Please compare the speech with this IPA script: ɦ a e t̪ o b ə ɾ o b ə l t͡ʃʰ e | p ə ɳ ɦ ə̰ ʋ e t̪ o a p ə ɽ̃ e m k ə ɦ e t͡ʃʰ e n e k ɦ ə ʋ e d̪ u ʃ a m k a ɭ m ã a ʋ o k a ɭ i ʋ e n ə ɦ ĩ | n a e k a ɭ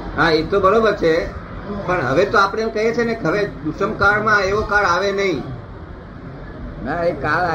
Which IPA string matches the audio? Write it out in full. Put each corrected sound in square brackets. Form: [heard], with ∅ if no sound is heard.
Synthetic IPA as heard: ɦ a e t̪ o b ə ɾ o b ə [ɾ] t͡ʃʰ e | p ə ɳ ɦ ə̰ ʋ e t̪ o a p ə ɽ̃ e m k ə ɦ e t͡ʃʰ e n e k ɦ ə ʋ e d̪ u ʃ [ə] m k a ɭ m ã [e] ʋ o k a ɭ [a] ʋ e n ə ɦ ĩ | n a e k a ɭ